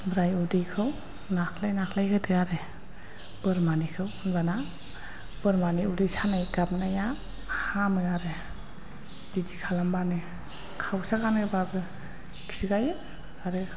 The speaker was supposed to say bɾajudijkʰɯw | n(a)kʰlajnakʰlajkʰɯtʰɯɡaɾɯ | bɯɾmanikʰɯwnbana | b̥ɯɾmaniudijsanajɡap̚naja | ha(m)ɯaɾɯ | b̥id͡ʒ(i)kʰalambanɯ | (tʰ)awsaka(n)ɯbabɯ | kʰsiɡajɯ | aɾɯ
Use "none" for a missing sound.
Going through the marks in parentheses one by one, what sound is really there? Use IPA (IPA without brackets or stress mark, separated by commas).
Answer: a, m, i, kʰ, n